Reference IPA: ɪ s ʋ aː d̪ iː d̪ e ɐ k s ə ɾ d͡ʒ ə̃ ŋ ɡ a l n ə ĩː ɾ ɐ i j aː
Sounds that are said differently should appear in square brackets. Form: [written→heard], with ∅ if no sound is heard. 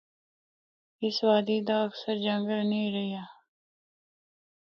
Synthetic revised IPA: ɪ s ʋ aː d̪ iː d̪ [e→a] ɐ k s ə ɾ d͡ʒ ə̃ ŋ ɡ [a→ə] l n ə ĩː ɾ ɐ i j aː